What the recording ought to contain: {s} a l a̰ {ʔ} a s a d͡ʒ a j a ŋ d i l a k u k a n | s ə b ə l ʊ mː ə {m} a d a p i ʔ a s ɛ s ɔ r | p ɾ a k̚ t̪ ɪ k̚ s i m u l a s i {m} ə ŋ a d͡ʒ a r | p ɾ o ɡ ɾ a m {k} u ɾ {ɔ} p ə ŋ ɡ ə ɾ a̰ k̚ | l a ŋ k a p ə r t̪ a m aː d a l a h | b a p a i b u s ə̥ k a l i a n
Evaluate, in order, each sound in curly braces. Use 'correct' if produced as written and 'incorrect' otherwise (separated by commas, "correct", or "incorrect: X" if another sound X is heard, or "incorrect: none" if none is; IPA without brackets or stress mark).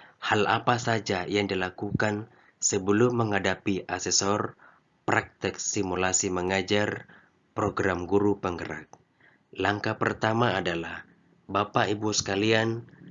incorrect: h, incorrect: p, incorrect: ŋ, correct, incorrect: ɡ, incorrect: u